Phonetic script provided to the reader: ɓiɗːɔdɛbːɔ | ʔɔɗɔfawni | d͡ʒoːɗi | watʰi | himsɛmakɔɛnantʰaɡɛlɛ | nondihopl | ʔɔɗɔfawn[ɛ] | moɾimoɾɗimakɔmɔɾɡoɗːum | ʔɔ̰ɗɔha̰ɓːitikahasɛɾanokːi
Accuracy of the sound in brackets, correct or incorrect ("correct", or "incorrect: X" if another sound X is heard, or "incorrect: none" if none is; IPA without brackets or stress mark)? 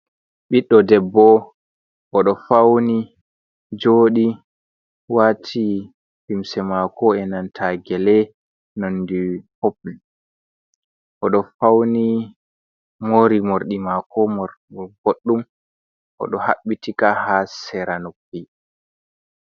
incorrect: i